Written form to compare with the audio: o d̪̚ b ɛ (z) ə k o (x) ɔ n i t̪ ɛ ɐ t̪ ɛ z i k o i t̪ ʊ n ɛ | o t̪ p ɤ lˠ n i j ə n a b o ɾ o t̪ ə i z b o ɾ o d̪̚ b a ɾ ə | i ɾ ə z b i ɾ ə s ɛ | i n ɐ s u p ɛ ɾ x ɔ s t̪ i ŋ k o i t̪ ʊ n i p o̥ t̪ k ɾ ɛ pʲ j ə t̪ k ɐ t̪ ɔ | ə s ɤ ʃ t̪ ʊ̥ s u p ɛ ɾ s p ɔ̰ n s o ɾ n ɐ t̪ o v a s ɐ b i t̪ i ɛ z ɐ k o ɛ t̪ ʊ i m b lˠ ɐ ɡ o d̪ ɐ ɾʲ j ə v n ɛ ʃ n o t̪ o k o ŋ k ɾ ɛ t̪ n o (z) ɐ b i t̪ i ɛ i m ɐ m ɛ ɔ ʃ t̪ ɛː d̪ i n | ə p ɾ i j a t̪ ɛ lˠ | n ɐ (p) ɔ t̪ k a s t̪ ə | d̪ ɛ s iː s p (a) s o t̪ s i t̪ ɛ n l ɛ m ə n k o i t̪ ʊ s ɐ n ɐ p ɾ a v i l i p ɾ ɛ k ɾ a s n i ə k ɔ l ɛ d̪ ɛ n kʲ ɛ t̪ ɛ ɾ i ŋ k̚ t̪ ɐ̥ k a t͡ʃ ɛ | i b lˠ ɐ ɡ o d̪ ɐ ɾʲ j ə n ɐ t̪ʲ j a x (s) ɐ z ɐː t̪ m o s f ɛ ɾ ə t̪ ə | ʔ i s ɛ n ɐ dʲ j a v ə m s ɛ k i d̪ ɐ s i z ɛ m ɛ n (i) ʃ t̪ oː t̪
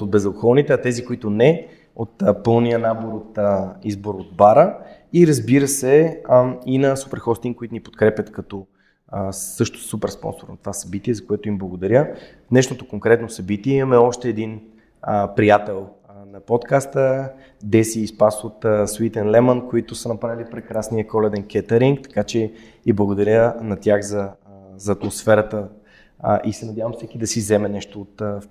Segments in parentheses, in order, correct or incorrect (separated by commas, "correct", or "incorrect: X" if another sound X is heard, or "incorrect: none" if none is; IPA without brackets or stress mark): correct, correct, incorrect: s, correct, correct, incorrect: z, incorrect: ɛ